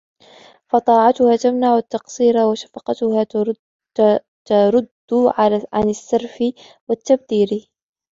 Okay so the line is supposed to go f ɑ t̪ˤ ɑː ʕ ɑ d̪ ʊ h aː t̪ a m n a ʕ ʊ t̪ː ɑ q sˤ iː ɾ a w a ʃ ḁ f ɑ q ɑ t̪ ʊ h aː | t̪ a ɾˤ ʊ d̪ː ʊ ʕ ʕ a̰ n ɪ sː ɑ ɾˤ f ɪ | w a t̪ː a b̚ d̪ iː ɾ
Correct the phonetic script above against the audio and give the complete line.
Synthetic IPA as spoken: f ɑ t̪ˤ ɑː ʕ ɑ t̪ ʊ h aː t̪ a m n a ʕ ʊ t̪ː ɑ q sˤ iː ɾ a w a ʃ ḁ f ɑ q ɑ t̪ ʊ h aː | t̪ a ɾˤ ʊ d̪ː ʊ ʕ ʕ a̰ n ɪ sː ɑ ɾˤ f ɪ | w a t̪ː a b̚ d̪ iː ɾ